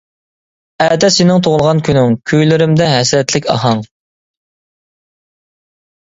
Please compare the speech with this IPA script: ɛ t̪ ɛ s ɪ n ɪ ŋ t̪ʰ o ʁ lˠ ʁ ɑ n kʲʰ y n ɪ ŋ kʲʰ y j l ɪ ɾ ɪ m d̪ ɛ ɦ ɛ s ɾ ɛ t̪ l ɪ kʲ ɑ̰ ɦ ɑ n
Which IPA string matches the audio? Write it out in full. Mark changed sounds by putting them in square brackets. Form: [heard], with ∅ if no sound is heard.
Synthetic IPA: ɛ [d̪] ɛ s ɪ n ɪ ŋ t̪ʰ o ʁ lˠ ʁ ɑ n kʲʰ y n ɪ ŋ kʲʰ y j l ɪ ɾ ɪ m d̪ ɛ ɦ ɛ s ɾ ɛ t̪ l ɪ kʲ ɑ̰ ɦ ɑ [ŋ]